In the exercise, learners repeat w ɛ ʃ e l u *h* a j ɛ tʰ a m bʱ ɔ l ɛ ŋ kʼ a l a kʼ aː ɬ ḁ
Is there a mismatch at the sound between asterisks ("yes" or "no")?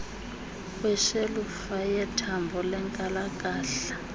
yes